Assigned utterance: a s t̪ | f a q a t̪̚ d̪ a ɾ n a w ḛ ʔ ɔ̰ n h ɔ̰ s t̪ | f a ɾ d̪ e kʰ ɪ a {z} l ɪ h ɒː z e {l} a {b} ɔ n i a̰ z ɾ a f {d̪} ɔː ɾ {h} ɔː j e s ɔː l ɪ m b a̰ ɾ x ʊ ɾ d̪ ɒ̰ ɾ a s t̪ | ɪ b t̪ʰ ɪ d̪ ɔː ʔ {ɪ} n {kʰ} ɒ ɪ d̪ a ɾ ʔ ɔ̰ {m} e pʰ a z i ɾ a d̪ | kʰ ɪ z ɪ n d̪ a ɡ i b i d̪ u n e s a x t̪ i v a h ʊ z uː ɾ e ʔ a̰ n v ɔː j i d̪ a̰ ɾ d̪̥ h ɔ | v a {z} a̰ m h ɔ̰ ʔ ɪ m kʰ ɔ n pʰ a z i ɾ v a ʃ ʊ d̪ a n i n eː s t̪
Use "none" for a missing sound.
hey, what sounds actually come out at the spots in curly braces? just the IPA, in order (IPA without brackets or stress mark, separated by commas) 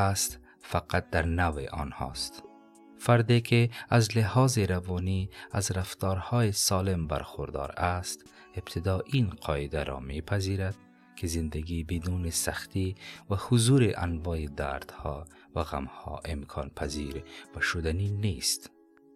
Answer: z, ɾ, v, t̪, h, i, qʰ, m, ɣ